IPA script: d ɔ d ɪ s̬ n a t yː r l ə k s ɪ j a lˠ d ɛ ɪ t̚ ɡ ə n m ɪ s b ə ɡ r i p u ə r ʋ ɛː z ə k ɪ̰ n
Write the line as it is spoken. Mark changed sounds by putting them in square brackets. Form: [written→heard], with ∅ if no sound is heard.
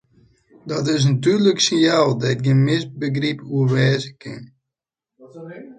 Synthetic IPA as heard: d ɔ [d→t] ɪ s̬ n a t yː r l ə k s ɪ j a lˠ d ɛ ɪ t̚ ɡ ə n m ɪ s b ə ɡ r i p u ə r ʋ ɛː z ə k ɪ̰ n